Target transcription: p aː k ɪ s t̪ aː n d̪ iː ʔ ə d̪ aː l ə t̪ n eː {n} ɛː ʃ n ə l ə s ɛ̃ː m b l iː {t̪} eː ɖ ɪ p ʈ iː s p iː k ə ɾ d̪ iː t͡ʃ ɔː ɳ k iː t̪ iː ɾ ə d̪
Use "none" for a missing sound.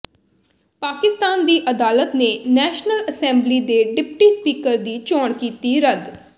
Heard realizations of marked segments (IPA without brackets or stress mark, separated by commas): n, d̪